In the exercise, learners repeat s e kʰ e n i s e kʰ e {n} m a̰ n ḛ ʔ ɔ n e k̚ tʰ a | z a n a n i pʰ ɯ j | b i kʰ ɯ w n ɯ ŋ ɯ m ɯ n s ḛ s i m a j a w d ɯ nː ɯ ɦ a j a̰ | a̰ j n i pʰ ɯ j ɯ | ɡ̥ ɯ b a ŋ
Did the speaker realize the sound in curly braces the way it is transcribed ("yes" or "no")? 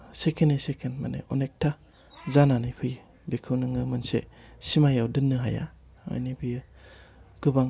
yes